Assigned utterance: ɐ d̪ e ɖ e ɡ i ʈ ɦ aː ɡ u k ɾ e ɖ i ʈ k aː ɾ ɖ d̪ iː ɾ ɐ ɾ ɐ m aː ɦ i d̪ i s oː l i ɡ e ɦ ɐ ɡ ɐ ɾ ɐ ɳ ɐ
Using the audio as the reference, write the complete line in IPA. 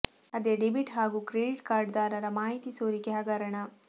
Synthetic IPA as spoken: ɐ d̪ e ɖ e b i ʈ ɦ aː ɡ u k ɾ e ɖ i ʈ k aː ɾ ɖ d̪ aː ɾ ɐ ɾ ɐ m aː ɦ i t̪ i s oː ɾ i k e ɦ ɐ ɡ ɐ ɾ ɐ ɳ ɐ